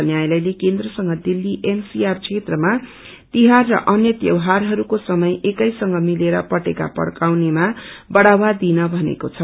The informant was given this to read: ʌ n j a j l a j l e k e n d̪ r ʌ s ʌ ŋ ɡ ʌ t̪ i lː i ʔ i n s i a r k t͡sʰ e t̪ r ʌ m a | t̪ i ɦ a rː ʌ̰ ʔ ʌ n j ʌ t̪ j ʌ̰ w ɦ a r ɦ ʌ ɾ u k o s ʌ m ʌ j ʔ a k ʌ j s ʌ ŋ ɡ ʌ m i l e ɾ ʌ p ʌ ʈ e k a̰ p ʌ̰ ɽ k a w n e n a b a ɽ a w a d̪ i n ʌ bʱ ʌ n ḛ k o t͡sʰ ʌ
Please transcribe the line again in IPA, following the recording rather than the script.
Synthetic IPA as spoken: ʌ n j a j l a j l e k e n d̪ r ʌ s ʌ ŋ ɡ ʌ d̪ i lː i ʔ e n s i a r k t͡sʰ e t̪ r ʌ m a | t̪ i ɦ a rː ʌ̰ ʔ ʌ n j ʌ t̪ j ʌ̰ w ɦ a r ɦ ʌ ɾ u k o s ʌ m ʌ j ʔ e k ʌ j s ʌ ŋ ɡ ʌ m i l e ɾ ʌ p ʌ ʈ e k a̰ p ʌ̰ ɽ k a w n e m a b ʌ ɽ a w a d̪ i n ʌ bʱ ʌ n ḛ k o t͡sʰ ʌ